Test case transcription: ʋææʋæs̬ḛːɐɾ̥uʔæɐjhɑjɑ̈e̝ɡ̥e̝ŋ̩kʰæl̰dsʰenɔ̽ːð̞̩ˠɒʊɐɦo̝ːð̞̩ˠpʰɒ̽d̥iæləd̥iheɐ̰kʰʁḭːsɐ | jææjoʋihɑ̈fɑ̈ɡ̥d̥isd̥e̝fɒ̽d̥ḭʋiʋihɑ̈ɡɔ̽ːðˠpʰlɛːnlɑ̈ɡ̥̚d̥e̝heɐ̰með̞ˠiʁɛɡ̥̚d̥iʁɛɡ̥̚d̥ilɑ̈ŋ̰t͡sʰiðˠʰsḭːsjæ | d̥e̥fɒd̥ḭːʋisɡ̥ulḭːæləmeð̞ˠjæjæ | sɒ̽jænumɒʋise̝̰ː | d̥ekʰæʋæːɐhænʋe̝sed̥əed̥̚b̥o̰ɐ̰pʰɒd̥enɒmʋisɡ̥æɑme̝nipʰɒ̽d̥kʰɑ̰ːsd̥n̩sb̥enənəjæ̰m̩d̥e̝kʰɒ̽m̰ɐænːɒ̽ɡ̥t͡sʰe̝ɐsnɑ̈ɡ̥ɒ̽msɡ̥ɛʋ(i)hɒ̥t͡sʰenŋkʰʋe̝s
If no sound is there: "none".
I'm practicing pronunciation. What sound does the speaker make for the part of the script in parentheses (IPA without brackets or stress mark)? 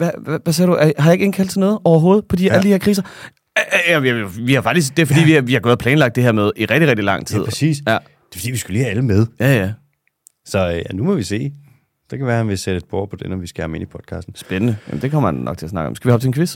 i